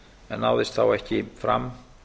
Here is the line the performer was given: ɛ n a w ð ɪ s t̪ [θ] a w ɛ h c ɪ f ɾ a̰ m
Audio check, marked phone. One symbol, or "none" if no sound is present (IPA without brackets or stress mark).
θ